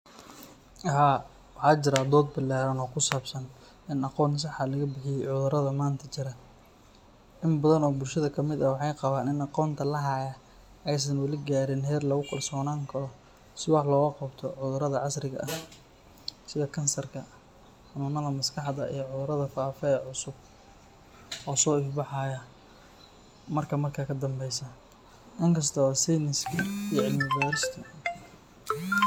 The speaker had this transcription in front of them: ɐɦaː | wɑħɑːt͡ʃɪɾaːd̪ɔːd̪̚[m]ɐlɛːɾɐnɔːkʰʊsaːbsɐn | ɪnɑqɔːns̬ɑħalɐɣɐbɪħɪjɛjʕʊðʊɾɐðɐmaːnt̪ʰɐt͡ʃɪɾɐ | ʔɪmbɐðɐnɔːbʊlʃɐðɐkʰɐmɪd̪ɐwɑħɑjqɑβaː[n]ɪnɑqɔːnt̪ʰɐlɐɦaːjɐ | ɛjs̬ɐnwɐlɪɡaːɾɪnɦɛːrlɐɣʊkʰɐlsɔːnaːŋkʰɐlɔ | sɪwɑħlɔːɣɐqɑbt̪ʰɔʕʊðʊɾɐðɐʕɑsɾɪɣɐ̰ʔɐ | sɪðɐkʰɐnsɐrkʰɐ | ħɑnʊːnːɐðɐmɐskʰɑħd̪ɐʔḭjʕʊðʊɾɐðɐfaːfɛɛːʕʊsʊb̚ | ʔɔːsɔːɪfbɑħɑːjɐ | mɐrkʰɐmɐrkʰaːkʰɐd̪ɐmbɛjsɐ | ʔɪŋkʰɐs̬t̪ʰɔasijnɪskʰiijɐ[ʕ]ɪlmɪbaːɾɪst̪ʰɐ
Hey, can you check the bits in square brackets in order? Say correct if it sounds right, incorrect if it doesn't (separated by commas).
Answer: incorrect, correct, correct